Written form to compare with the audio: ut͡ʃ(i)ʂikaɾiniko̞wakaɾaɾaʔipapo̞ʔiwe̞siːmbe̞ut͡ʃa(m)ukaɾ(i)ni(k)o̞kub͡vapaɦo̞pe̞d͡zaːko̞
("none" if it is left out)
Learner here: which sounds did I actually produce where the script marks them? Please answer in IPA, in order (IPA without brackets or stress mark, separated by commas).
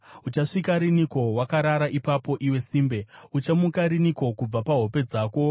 a, m, i, k